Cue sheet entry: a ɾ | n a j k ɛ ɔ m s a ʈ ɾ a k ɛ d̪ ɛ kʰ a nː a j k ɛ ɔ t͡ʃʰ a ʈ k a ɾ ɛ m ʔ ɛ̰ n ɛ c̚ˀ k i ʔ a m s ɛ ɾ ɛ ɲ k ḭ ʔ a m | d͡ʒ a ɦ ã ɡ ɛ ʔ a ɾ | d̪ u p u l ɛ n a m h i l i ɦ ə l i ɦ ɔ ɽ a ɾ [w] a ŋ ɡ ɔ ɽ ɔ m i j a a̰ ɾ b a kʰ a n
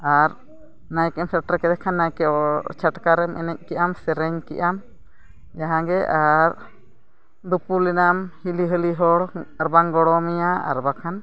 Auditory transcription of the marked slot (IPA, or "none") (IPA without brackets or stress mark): b